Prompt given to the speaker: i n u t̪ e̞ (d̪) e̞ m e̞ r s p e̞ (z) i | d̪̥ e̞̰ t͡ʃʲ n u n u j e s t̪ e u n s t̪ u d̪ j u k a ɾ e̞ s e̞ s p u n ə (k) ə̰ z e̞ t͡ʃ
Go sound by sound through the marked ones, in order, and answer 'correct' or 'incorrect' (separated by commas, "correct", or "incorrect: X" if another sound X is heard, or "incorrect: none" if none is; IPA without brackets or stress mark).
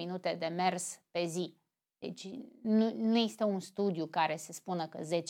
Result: correct, correct, correct